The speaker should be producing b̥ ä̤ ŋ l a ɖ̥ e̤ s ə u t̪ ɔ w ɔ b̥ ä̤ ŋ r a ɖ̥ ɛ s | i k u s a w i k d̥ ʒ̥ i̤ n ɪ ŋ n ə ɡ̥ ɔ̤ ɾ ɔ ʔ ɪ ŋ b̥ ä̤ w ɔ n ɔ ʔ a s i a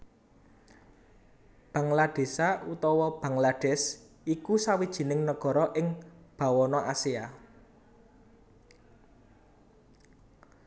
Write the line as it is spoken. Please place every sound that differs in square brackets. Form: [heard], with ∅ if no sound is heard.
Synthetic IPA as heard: b̥ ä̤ ŋ l a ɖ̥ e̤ s [a] u t̪ ɔ w ɔ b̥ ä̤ ŋ [l] a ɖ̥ ɛ s | i k u s a w i [∅] d̥ ʒ̥ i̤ n ɪ ŋ n ə ɡ̥ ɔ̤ ɾ ɔ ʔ ɪ ŋ b̥ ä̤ w ɔ n ɔ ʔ a s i a